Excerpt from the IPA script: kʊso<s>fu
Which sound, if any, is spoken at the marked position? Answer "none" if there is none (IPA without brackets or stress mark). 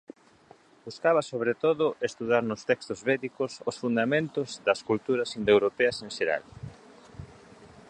s